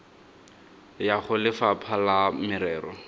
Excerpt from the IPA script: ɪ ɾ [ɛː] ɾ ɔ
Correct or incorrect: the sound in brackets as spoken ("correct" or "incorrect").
correct